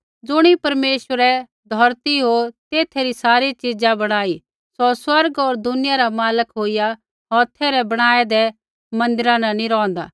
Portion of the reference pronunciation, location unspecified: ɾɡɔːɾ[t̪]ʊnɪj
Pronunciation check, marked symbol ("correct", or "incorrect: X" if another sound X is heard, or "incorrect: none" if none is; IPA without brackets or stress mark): incorrect: d̪